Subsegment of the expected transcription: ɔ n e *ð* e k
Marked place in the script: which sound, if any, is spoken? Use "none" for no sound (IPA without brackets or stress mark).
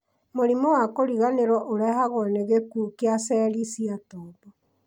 ɣ